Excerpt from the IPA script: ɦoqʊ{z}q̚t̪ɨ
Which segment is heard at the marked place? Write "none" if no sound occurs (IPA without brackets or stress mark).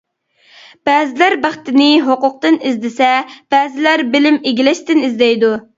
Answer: none